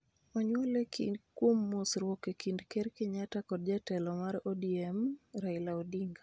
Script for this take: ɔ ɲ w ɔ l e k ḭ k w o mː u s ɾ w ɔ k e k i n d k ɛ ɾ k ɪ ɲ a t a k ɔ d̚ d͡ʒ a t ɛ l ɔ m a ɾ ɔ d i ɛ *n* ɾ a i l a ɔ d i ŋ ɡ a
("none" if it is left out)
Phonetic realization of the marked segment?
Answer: m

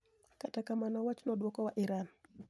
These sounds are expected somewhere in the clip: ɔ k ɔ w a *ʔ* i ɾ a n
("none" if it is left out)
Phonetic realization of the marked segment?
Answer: ʔ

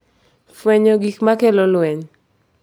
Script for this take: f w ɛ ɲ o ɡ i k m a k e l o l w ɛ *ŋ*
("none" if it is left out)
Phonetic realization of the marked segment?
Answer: ɲ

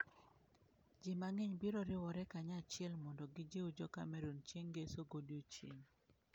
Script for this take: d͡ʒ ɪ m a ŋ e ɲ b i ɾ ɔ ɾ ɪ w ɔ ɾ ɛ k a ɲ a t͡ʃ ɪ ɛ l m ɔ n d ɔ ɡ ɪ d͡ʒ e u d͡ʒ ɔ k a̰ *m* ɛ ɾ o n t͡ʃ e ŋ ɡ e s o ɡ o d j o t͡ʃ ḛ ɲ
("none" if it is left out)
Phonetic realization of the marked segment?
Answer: m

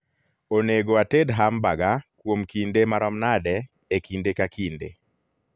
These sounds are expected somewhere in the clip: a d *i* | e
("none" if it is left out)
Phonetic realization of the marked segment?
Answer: ɛ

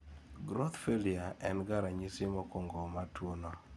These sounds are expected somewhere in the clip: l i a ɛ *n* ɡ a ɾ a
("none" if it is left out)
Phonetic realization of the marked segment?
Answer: n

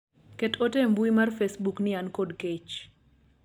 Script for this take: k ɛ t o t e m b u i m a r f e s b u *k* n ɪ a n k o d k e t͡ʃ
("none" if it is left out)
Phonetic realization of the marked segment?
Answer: k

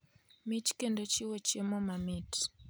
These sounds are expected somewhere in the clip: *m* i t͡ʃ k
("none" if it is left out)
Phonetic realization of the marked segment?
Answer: m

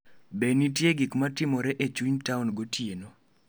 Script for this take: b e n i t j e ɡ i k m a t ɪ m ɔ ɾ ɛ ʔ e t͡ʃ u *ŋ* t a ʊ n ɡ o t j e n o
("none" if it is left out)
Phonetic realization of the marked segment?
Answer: ɲ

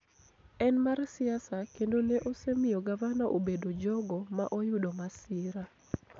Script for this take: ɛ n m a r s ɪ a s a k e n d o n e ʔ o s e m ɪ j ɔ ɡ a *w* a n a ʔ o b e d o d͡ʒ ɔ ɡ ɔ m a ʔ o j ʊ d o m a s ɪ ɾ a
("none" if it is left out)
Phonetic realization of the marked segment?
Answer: v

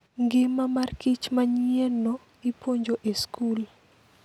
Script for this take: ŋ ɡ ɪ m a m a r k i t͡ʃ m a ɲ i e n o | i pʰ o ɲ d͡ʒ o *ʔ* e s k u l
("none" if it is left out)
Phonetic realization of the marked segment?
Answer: ʔ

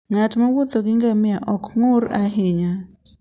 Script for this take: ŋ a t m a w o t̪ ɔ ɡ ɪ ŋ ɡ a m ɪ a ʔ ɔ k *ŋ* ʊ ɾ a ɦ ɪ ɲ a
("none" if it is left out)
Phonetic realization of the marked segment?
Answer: ŋ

